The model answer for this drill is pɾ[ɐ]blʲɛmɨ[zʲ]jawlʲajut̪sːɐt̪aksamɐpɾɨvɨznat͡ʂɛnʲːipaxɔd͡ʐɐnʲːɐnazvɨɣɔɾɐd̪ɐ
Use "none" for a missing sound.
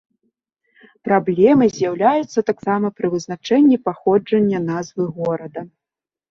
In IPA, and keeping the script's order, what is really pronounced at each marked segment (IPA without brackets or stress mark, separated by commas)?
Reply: a, zʲ